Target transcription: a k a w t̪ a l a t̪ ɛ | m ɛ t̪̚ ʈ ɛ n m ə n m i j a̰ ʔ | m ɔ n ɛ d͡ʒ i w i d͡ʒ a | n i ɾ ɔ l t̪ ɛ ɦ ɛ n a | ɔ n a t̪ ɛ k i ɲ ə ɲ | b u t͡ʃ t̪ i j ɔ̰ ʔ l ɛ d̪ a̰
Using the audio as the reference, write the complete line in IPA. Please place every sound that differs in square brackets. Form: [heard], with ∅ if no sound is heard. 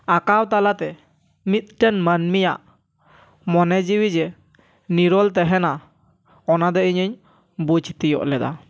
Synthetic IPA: a k a w t̪ a l a t̪ ɛ | m [i] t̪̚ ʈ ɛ n m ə n m i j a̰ ʔ | m ɔ n ɛ d͡ʒ i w i d͡ʒ [ɛ] | n i ɾ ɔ l t̪ ɛ ɦ ɛ n a | ɔ n a [d̪] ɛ [∅] i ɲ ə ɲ | b u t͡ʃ t̪ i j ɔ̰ ʔ l ɛ d̪ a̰

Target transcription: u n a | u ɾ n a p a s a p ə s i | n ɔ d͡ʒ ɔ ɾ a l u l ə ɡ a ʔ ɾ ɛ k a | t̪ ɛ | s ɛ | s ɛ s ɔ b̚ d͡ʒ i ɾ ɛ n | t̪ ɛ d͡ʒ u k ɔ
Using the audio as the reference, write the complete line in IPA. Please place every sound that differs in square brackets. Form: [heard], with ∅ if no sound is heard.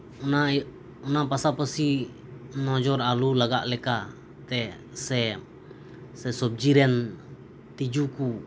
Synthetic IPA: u n a | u [∅] n a p a s a p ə s i | n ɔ d͡ʒ ɔ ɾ a l u l [a] ɡ a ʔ [l] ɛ k a | t̪ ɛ | s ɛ | s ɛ s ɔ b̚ d͡ʒ i ɾ ɛ n | t̪ [i] d͡ʒ u k [u]

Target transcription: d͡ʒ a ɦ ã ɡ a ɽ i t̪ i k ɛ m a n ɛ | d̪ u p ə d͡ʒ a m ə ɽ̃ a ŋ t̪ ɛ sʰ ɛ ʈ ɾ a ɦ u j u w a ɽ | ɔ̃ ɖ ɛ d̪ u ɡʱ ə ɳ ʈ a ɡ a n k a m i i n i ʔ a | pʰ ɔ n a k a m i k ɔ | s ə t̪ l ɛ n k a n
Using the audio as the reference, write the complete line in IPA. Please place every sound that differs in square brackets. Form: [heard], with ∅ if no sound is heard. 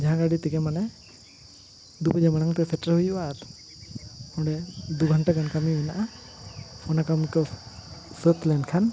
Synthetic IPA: d͡ʒ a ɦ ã ɡ a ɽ i t̪ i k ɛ m a n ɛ | d̪ u p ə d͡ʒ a m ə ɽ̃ a ŋ t̪ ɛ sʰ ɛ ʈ ɾ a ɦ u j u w a [ɾ] | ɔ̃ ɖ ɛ d̪ u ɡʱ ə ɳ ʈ a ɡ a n k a m i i n [a] ʔ a | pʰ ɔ n a k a m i k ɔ | s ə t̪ l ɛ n [kʰ] a n

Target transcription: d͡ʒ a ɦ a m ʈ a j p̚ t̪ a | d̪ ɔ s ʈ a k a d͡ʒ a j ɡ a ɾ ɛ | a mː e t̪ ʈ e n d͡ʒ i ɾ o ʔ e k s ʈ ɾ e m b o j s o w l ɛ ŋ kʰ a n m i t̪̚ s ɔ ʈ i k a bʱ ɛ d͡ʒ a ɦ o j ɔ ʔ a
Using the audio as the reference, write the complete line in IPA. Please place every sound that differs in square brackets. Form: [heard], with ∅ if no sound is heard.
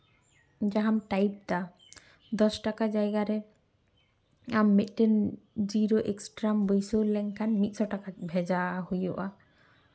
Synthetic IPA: d͡ʒ a ɦ a m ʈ a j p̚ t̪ a | d̪ ɔ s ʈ a k a d͡ʒ a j ɡ a ɾ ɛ | a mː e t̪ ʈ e n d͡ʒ i ɾ o ʔ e k s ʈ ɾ [a] m b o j s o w l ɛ ŋ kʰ a n m i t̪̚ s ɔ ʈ [a] k a bʱ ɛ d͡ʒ a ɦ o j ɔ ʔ a

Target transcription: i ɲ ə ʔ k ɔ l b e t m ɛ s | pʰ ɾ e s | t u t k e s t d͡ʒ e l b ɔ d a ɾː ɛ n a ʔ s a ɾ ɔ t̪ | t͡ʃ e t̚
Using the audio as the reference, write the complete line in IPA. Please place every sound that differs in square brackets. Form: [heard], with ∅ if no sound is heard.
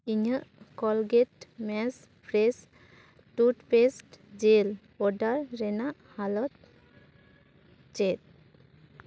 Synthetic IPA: i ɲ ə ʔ k ɔ l [ɡ] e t m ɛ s | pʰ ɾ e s | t u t [p] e s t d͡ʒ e l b ɔ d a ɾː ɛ n a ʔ [h] a [l] ɔ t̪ | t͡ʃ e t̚

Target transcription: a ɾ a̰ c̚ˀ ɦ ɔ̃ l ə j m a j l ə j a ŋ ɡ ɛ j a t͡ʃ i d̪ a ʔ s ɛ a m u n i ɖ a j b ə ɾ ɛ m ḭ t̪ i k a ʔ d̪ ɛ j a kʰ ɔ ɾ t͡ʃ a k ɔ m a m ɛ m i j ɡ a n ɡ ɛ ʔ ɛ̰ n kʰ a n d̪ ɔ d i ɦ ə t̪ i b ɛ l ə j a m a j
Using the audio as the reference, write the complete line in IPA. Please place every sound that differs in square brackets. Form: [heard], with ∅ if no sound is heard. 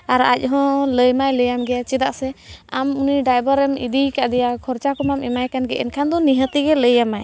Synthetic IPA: a ɾ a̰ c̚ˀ ɦ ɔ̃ l ə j m a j l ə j a [m] ɡ ɛ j a t͡ʃ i d̪ a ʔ s ɛ a m u n i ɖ a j b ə ɾ ɛ m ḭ [d̪] i k a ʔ d̪ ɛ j a kʰ ɔ ɾ t͡ʃ a k ɔ m a m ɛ m [a] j [k] a n ɡ ɛ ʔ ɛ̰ n kʰ a n d̪ ɔ [n] i ɦ ə t̪ i [ɡ] ɛ l ə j a m a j

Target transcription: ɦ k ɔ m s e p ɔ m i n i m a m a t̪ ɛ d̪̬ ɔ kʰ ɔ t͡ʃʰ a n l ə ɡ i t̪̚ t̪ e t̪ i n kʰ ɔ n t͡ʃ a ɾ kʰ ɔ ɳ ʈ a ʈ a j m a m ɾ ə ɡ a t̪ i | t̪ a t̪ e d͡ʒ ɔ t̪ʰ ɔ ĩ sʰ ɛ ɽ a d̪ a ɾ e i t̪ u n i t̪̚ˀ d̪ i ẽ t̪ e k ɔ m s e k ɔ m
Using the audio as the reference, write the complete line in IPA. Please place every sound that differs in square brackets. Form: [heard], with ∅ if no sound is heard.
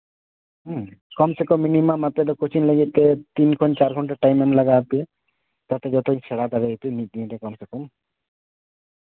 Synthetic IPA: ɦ k ɔ m s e [k] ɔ m i n i m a m a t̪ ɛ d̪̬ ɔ [k] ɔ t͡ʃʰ [i] n l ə ɡ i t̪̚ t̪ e t̪ i n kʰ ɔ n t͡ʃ a ɾ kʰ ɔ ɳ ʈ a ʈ a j m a m [l] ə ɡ a t̪ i | t̪ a t̪ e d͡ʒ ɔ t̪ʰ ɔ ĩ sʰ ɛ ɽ a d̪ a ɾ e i t̪ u n i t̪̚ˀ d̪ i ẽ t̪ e k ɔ m s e k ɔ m

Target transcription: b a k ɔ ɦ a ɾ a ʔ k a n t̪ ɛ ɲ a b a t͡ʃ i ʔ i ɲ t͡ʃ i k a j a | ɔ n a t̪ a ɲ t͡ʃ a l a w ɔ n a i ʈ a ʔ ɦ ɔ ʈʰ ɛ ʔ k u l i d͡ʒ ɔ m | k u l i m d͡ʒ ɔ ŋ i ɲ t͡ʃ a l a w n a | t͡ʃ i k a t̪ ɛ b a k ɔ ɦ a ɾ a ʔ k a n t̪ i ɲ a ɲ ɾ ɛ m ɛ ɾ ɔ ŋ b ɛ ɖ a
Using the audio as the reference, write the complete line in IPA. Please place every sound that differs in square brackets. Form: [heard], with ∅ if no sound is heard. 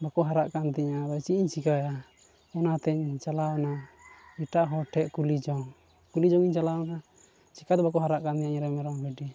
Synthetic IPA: b a k ɔ ɦ a ɾ a ʔ k a n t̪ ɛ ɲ a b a t͡ʃ i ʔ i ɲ t͡ʃ i k a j a | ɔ n a t̪ [ɛ] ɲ t͡ʃ a l a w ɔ n a i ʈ a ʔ ɦ ɔ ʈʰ ɛ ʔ k u l i d͡ʒ ɔ [ŋ] | k u l i [∅] d͡ʒ ɔ ŋ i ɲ t͡ʃ a l a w n a | t͡ʃ i k a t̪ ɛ b a k ɔ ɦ a ɾ a ʔ k a n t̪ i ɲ a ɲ ɾ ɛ m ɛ ɾ ɔ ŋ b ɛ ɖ [i]

